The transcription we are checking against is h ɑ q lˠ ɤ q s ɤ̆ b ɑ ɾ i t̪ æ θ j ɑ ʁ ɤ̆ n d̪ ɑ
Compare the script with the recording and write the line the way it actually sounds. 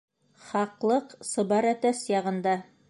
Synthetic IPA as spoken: χ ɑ q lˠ ɤ q s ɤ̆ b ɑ ɾ æ t̪ æ s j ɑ ʁ ɤ̆ n d̪ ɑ